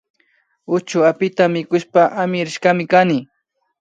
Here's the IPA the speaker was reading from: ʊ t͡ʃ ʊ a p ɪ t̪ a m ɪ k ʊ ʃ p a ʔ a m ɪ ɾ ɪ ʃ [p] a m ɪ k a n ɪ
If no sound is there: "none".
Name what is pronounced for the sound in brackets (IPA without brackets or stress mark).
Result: k